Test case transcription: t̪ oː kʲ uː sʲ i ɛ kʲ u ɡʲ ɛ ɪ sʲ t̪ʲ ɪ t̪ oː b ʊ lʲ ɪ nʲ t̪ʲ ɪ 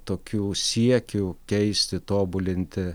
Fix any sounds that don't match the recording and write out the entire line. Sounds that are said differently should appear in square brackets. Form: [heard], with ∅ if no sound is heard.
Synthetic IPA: t̪ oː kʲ uː sʲ i ɛ kʲ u [kʲ] ɛ ɪ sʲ t̪ʲ ɪ t̪ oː b ʊ lʲ ɪ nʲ t̪ʲ ɪ